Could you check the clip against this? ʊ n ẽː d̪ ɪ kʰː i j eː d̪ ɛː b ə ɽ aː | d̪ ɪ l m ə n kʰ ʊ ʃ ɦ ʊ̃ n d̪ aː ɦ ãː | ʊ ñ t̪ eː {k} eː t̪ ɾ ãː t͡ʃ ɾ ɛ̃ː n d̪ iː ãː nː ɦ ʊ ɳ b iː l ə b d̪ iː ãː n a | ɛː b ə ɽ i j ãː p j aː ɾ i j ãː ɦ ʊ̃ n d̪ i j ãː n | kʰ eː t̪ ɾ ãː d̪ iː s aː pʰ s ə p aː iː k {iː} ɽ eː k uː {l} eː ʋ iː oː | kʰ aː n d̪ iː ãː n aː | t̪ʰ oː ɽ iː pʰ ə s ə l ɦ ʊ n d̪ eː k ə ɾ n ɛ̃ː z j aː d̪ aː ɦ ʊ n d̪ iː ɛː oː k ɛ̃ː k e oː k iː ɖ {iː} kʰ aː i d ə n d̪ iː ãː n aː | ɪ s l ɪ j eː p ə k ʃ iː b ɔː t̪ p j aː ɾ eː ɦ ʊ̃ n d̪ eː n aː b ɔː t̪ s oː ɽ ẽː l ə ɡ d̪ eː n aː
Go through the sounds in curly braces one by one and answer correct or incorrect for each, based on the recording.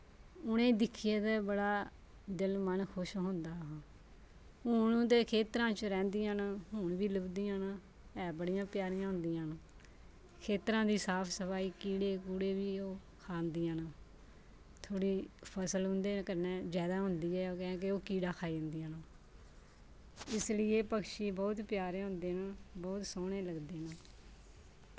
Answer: incorrect, correct, incorrect, incorrect

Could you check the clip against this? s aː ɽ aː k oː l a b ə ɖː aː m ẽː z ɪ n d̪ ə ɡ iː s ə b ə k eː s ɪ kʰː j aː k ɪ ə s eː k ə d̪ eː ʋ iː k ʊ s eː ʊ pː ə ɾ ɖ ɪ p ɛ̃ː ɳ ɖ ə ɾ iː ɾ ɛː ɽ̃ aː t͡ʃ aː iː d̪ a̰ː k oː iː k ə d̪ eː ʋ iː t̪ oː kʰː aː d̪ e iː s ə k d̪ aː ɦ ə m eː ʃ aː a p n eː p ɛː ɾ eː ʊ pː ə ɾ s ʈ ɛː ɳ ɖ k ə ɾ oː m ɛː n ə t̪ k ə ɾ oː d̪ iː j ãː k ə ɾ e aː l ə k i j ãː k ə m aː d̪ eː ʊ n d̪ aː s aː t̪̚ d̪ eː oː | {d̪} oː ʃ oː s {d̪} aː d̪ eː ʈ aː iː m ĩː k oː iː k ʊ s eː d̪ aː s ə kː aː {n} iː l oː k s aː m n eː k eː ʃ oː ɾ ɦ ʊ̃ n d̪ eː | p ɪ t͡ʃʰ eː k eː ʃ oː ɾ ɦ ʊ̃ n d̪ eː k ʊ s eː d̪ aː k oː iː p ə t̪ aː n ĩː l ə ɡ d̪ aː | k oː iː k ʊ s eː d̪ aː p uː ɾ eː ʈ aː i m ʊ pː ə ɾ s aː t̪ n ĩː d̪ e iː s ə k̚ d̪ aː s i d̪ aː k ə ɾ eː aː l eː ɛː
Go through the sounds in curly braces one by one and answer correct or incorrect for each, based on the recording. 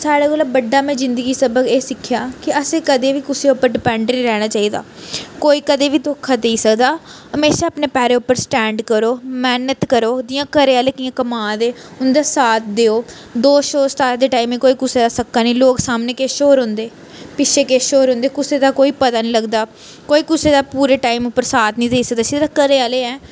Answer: correct, incorrect, correct

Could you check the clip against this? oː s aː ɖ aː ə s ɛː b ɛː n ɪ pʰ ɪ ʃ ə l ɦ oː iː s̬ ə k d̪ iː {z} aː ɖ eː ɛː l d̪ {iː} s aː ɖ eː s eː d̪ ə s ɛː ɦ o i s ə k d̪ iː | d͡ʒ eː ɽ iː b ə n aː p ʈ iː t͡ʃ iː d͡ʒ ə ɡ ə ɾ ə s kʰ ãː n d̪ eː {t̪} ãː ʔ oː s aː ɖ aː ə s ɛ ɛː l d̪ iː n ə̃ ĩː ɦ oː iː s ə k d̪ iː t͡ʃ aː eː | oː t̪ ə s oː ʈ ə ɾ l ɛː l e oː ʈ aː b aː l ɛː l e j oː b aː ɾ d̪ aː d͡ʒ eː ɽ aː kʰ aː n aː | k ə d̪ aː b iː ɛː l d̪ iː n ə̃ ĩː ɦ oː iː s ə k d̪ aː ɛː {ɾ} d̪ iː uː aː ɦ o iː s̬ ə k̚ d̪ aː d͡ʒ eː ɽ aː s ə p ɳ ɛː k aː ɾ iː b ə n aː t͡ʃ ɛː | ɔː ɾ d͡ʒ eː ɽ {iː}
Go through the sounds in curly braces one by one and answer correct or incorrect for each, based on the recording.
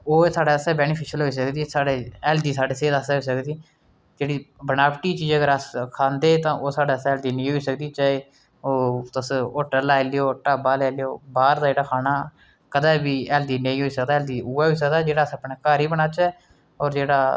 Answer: incorrect, correct, correct, incorrect, incorrect

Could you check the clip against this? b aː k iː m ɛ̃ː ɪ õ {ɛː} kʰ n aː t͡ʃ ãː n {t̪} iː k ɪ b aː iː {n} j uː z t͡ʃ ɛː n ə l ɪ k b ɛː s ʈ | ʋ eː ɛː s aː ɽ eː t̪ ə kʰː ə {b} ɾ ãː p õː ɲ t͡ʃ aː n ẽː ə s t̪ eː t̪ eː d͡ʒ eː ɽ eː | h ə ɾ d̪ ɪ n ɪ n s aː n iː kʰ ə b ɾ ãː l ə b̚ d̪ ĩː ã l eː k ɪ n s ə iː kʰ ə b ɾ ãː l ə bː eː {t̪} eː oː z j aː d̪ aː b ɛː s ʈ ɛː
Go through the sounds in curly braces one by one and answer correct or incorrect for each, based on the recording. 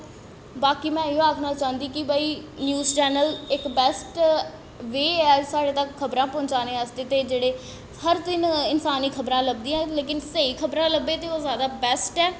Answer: incorrect, incorrect, correct, correct, correct

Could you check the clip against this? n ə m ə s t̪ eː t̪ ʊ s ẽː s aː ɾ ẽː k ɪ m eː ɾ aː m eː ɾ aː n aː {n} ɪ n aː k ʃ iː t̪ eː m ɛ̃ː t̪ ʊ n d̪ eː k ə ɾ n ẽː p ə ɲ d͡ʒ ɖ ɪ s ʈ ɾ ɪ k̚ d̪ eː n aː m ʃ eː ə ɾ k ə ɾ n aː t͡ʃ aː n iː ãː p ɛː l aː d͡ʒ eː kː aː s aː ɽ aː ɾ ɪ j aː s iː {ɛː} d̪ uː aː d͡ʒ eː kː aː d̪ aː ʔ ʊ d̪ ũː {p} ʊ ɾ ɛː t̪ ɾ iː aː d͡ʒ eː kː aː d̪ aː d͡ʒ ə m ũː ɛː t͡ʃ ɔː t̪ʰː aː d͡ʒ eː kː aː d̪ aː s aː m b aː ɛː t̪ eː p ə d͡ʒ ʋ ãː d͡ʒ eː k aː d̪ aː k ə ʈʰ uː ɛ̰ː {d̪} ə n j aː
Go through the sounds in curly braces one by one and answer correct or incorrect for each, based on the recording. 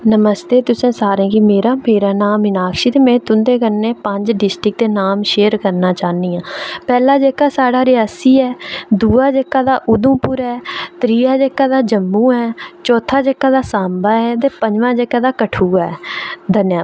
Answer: incorrect, correct, correct, correct

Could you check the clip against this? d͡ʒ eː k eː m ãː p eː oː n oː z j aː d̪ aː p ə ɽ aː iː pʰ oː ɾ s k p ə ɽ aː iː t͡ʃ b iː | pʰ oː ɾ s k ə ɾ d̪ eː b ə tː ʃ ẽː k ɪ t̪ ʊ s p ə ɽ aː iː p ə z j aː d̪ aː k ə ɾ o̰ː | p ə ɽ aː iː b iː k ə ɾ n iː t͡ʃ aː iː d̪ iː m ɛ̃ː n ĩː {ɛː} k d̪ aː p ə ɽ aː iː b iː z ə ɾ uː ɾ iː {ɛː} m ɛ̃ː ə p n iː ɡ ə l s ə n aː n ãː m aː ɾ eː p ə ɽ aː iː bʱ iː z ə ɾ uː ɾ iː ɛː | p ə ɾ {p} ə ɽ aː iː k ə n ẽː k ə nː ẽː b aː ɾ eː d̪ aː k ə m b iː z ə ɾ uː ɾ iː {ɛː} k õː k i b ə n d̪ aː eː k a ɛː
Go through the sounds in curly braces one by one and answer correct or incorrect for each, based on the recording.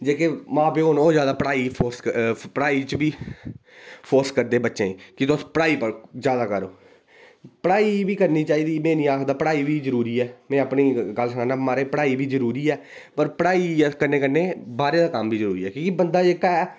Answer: incorrect, correct, correct, correct

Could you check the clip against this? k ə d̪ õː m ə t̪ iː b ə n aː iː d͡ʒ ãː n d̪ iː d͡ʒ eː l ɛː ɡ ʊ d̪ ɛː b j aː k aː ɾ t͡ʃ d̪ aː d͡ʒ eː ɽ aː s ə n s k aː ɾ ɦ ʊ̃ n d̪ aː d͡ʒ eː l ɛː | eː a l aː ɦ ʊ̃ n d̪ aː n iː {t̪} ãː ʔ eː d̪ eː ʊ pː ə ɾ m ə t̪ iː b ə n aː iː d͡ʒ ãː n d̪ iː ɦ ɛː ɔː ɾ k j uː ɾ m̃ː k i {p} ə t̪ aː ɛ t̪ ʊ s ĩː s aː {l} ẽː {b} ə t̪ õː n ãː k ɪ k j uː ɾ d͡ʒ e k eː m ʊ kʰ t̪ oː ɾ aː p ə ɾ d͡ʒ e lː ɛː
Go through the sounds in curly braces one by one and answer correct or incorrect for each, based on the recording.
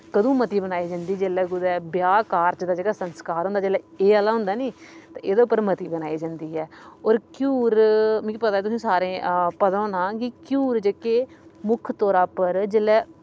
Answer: correct, correct, incorrect, incorrect

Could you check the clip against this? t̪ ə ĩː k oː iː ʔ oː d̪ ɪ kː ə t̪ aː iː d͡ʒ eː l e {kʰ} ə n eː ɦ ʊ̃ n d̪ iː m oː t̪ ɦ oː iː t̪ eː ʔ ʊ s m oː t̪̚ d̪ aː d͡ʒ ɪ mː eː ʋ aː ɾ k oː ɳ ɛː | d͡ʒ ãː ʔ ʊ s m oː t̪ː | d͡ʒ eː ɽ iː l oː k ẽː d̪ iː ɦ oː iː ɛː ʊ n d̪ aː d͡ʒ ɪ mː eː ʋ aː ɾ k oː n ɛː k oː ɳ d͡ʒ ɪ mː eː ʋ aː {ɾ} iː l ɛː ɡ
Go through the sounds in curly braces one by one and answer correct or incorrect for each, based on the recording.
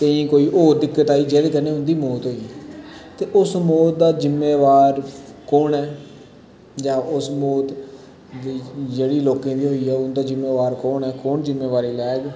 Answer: incorrect, correct

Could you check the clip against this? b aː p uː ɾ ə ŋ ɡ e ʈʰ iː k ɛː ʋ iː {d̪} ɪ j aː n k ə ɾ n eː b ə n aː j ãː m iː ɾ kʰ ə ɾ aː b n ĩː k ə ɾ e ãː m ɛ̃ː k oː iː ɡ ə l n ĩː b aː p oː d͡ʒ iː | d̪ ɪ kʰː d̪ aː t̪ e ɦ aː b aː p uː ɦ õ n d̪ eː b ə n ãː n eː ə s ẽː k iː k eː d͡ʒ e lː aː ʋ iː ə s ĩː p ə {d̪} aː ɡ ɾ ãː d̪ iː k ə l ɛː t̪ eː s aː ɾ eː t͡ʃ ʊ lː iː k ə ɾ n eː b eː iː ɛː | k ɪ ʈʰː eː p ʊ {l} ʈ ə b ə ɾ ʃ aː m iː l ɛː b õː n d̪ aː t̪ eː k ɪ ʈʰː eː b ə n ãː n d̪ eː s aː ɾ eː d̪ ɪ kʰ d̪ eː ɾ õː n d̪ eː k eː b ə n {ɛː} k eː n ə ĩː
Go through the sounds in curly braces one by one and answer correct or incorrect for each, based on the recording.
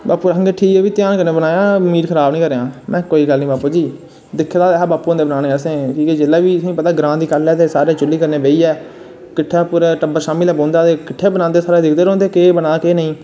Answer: incorrect, incorrect, incorrect, incorrect

